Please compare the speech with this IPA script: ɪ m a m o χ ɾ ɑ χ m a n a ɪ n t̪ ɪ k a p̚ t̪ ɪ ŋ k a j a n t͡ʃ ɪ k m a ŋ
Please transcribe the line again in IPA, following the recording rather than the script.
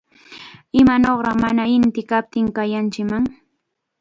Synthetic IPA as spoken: ɪ m a n o χ ɾ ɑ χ m a n a ɪ n t̪ ɪ k a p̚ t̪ ɪ ŋ k a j a n t͡ʃ ɪ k m a ŋ